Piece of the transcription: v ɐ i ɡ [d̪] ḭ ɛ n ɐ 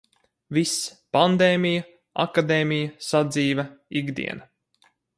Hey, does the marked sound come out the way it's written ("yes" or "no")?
yes